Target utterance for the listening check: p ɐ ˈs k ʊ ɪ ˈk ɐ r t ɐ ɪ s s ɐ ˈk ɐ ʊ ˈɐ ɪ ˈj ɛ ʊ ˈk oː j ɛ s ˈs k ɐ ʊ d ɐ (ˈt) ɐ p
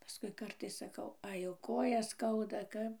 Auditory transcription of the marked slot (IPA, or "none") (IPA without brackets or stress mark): k